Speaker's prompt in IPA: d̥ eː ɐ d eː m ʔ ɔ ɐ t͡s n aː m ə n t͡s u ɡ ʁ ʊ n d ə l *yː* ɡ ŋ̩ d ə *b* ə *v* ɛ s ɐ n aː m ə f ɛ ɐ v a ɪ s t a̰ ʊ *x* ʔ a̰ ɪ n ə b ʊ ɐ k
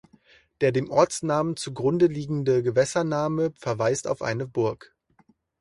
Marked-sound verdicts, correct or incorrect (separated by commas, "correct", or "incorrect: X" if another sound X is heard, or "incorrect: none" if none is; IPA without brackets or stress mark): incorrect: iː, incorrect: ɡ, correct, incorrect: f